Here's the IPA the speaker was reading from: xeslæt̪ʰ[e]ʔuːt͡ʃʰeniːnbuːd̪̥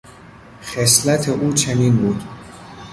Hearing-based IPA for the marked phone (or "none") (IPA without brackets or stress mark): e